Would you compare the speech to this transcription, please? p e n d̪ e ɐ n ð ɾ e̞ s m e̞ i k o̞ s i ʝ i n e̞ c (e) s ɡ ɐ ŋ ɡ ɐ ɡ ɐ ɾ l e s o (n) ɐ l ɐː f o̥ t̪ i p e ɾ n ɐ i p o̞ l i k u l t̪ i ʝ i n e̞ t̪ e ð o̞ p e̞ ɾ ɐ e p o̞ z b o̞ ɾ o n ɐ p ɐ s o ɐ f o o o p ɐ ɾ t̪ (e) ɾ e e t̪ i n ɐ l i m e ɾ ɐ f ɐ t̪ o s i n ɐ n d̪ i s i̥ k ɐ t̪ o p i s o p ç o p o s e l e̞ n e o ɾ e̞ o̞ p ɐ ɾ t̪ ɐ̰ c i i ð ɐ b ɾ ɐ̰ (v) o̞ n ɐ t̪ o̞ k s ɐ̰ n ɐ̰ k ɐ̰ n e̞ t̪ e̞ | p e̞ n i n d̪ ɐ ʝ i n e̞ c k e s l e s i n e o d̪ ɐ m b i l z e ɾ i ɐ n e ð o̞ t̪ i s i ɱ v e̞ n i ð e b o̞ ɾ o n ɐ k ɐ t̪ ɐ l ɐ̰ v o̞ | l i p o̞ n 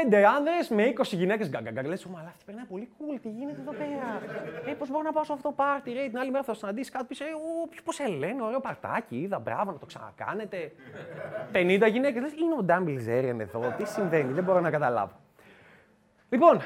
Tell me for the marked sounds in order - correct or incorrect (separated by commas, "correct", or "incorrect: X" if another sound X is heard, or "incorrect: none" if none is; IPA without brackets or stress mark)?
correct, incorrect: m, incorrect: i, correct